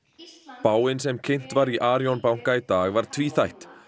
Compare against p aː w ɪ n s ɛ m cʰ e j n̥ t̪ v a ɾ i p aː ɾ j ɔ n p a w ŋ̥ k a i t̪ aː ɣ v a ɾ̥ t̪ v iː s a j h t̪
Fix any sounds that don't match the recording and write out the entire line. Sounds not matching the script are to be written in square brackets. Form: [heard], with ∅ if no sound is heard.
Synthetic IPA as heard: p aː w ɪ n s ɛ m cʰ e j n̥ t̪ v a ɾ i [ʔ] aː ɾ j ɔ n p a w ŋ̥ k a i t̪ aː ɣ v a ɾ̥ [t̪ʰ] v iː [θ] a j h t̪